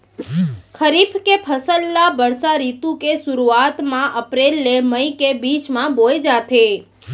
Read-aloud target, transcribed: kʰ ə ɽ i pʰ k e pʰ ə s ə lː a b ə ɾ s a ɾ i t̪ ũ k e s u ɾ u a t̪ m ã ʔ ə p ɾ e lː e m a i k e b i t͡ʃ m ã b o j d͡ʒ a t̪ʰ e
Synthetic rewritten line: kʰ ə ɾ i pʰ k e pʰ ə s ə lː a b ə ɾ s a ɾ i t̪ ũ k e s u ɾ u a t̪ m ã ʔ ə p ɾ e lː e m ə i k e b i t͡ʃ m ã b o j d͡ʒ a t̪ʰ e